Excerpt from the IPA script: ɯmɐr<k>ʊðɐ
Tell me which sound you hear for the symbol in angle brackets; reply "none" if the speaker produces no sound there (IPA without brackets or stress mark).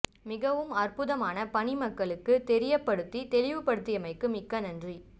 p